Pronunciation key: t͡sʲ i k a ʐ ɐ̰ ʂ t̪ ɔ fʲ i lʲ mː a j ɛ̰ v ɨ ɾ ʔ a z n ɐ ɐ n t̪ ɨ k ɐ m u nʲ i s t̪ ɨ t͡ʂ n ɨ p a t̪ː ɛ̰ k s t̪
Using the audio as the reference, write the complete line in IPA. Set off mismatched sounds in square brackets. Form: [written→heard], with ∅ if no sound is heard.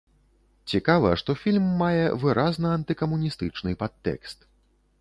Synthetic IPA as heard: t͡sʲ i k a [ʐ→v] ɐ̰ ʂ t̪ ɔ fʲ i lʲ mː a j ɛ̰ v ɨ ɾ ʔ a z n ɐ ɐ n t̪ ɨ k ɐ m u nʲ i s t̪ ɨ t͡ʂ n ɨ p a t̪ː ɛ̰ k s t̪